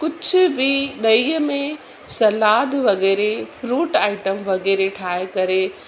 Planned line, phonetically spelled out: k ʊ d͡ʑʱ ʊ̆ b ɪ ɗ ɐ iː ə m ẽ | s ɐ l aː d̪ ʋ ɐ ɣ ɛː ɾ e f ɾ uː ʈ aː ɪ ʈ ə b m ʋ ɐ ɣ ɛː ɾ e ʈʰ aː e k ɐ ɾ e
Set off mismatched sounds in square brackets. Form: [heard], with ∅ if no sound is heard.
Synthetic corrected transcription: k ʊ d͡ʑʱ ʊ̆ b ɪ ɗ ɐ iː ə m ẽ | s ɐ l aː d̪ ʋ ɐ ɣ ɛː ɾ e f ɾ uː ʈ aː ɪ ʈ ə [∅] m ʋ ɐ ɣ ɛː ɾ e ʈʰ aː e k ɐ ɾ e